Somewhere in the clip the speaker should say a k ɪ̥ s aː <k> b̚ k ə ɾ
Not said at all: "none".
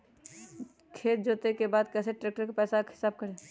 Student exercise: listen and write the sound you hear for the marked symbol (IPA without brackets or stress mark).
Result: none